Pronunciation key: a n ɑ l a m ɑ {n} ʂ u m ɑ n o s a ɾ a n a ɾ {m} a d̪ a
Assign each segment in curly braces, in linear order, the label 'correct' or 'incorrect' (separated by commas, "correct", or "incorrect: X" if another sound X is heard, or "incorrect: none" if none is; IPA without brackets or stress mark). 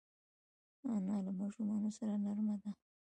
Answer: incorrect: none, correct